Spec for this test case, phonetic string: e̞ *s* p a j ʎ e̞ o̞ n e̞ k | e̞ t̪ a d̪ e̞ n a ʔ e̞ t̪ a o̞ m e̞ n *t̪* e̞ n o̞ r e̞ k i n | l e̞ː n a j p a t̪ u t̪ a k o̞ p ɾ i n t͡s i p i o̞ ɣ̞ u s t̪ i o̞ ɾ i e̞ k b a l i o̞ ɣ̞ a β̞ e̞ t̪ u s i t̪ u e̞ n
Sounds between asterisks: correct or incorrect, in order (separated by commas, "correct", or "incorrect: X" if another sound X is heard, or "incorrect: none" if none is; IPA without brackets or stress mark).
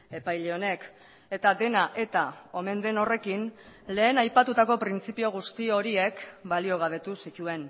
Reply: incorrect: none, incorrect: d̪